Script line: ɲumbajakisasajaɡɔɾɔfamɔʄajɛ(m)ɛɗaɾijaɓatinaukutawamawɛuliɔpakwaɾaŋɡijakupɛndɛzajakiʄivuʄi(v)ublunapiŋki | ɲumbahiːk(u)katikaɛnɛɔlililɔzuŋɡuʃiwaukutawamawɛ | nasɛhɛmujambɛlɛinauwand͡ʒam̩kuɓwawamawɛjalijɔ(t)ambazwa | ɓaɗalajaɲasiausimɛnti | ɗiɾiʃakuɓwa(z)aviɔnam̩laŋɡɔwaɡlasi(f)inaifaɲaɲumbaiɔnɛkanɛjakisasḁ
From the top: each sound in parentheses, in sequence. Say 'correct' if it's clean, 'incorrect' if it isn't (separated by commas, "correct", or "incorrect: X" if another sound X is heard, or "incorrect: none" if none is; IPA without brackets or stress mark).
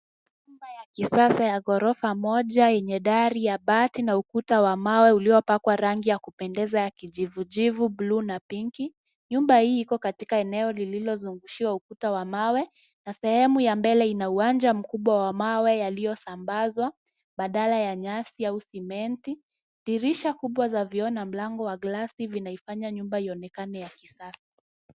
incorrect: ɲ, correct, incorrect: ɔ, incorrect: s, correct, incorrect: v